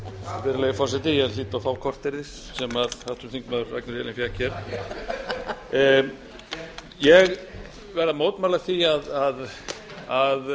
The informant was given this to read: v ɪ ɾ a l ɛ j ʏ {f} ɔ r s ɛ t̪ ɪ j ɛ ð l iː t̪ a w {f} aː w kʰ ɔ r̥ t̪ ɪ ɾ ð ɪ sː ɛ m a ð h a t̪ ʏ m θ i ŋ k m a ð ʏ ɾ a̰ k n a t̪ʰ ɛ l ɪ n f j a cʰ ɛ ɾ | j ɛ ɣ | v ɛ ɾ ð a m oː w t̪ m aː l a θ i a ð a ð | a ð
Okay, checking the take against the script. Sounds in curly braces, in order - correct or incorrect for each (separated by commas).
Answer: correct, correct